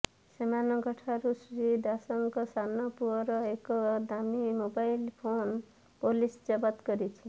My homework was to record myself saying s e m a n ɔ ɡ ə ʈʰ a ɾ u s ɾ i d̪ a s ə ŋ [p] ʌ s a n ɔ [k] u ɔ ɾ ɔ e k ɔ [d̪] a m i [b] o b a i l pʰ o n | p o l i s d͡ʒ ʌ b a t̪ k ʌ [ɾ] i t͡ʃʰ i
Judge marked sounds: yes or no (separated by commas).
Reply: no, no, yes, no, yes